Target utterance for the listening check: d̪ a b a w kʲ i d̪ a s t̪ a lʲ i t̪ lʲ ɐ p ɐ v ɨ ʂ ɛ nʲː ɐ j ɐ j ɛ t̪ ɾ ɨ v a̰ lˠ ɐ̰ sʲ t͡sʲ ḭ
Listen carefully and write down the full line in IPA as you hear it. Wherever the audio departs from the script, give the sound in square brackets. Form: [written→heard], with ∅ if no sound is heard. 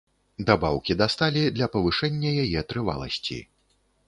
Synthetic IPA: d̪ a b a w kʲ i d̪ a s t̪ a lʲ i [t̪→d̪] lʲ ɐ p ɐ v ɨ ʂ ɛ nʲː ɐ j [ɐ→a] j ɛ t̪ ɾ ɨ v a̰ lˠ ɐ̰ sʲ t͡sʲ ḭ